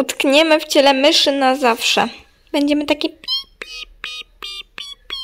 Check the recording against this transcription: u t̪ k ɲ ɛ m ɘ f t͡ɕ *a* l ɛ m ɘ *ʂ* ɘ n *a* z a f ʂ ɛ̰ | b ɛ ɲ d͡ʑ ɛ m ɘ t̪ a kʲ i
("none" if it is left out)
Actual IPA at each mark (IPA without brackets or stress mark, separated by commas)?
ɛ, ʂ, a